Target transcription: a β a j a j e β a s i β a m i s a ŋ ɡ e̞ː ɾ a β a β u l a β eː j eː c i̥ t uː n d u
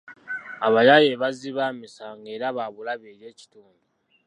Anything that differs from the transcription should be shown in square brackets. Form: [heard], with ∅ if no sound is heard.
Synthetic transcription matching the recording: a β a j a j e β a [z] i β a m i s a ŋ ɡ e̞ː ɾ a β a β u l a β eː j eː c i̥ t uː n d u